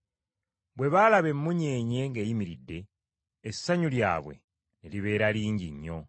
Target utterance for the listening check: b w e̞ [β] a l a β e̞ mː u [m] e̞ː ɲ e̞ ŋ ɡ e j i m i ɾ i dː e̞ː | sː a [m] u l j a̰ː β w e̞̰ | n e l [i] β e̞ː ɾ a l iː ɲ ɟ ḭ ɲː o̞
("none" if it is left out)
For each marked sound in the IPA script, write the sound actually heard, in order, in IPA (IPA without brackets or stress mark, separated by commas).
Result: β, ɲ, ɲ, i